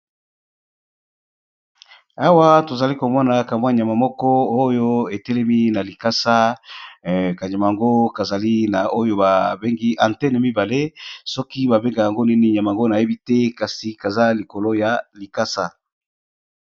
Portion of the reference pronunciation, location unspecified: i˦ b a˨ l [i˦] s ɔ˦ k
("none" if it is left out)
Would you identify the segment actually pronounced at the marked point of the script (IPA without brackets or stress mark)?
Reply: e˦